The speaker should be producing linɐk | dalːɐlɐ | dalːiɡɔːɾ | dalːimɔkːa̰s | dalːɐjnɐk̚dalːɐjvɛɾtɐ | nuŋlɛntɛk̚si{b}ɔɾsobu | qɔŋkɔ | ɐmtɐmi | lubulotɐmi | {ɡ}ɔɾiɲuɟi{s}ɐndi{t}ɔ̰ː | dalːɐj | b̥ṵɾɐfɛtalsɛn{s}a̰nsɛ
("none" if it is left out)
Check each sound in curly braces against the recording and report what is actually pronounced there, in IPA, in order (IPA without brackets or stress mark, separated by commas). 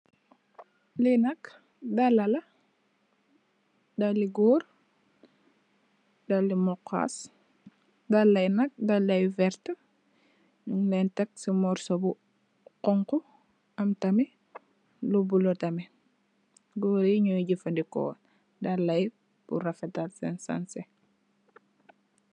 m, ɡ, f, k, s